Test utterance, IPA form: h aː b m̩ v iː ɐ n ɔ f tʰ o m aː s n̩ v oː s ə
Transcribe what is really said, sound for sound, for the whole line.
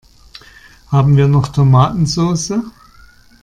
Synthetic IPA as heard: h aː b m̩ v iː ɐ n ɔ χ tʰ o m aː t n̩ z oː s ə